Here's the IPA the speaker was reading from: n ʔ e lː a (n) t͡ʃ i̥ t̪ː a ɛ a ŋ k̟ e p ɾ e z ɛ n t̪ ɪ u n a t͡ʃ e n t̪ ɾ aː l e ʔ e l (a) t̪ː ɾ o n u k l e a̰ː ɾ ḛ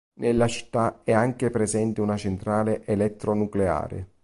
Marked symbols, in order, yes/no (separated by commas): no, no